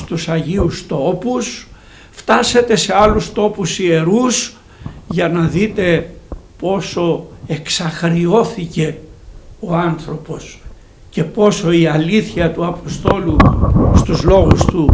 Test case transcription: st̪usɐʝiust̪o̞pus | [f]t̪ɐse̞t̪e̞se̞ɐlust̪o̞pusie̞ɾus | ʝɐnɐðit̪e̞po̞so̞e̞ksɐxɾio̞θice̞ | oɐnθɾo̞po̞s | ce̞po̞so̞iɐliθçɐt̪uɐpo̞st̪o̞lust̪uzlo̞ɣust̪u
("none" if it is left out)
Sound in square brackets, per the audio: f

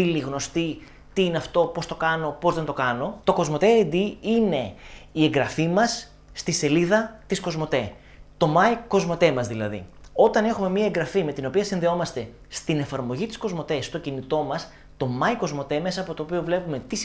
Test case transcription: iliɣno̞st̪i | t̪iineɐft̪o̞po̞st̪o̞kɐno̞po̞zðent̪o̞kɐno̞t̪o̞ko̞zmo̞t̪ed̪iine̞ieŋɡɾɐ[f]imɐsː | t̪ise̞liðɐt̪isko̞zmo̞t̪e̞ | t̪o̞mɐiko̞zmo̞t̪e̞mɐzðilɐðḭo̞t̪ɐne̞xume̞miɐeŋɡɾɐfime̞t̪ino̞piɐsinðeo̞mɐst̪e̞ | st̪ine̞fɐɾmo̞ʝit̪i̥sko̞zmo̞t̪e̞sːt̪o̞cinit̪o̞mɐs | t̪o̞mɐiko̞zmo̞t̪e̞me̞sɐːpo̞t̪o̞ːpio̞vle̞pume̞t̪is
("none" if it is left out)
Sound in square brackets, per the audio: f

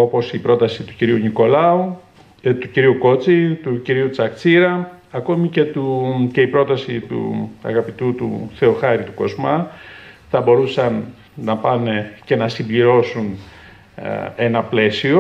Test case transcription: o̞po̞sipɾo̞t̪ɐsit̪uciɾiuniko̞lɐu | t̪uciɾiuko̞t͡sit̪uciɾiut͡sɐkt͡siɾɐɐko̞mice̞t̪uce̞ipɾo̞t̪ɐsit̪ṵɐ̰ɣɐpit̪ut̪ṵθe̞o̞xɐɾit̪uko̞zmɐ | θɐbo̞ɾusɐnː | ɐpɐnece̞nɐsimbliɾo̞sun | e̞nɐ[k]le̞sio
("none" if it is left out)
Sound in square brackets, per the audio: p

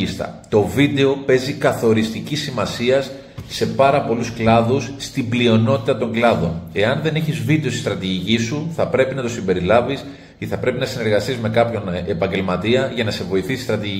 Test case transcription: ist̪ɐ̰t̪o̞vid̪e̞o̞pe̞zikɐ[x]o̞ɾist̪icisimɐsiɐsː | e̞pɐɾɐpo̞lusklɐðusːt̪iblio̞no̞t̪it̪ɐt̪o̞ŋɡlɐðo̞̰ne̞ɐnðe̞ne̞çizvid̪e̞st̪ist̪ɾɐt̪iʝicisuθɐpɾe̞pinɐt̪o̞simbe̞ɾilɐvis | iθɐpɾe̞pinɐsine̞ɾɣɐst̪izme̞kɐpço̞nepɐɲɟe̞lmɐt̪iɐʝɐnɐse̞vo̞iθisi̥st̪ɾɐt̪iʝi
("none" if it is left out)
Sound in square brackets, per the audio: θ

